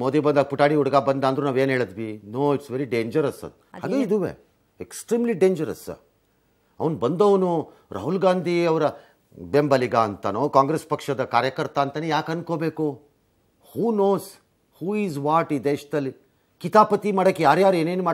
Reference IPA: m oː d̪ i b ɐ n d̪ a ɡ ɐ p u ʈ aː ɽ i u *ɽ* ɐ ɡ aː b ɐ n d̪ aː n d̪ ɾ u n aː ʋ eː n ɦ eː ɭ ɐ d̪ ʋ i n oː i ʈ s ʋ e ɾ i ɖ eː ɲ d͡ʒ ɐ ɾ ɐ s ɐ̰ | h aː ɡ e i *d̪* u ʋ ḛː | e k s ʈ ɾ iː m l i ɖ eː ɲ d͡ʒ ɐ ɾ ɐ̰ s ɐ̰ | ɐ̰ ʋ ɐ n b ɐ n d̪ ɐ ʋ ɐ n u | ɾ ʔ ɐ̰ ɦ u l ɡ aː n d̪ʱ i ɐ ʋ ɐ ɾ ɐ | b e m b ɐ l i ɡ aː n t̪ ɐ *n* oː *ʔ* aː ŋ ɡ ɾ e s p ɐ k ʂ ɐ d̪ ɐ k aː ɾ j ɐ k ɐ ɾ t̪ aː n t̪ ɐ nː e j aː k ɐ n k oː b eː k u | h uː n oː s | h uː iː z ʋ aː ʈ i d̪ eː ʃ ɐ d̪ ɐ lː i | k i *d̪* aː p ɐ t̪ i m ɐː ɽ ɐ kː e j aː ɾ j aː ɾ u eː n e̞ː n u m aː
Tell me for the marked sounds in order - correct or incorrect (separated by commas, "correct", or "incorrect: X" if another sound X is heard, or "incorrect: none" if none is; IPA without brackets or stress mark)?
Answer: correct, correct, correct, incorrect: k, incorrect: t̪